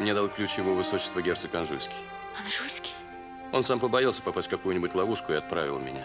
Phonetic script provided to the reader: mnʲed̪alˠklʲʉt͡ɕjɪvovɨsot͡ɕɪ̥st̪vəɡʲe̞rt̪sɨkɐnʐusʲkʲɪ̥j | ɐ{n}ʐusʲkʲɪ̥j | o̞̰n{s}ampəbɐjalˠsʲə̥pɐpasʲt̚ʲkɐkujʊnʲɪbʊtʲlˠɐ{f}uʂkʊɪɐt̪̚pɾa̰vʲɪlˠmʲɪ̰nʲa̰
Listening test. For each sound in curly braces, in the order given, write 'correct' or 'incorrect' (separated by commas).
correct, correct, incorrect